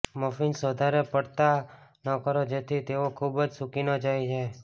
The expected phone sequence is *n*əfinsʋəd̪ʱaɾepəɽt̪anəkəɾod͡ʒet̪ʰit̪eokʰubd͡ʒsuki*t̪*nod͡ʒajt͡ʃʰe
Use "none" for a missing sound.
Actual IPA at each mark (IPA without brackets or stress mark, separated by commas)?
m, none